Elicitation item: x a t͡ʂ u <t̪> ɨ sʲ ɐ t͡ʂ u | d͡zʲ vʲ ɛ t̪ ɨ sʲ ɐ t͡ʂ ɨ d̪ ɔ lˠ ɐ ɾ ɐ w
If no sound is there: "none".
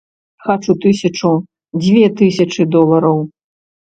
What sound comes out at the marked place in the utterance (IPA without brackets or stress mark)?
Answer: t̪